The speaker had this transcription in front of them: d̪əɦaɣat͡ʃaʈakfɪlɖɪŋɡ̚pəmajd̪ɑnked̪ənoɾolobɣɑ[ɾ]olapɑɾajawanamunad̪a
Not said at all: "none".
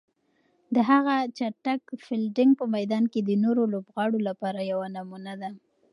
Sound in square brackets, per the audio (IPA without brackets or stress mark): ɽ